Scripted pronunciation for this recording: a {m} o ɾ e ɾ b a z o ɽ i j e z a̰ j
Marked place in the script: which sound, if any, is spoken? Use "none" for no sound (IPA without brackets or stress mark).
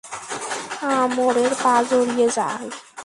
m